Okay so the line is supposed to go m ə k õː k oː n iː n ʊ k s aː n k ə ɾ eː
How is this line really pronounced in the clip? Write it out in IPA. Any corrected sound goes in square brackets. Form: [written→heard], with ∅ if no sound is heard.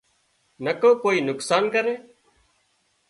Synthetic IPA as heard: [m→n] ə k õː k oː [n→∅] iː n ʊ k s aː n k ə ɾ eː